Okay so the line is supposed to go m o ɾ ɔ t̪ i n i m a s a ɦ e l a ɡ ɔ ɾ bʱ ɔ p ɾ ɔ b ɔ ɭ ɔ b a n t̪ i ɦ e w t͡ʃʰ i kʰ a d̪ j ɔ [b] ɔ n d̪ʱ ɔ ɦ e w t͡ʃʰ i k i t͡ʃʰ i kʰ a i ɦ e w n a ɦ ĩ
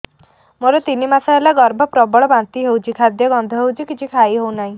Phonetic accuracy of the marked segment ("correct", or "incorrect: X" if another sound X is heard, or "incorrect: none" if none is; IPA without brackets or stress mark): incorrect: ɡ